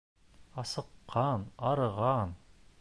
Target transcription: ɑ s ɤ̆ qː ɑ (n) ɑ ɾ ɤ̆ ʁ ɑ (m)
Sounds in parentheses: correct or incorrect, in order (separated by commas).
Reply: correct, incorrect